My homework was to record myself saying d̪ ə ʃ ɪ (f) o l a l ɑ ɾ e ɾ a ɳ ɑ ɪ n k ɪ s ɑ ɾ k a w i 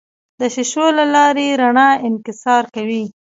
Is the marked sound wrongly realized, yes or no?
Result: yes